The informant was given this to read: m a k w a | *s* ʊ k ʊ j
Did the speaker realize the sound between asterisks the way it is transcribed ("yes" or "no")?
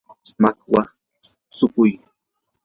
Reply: yes